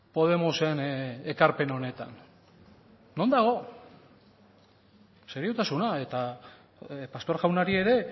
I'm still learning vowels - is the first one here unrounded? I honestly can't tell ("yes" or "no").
no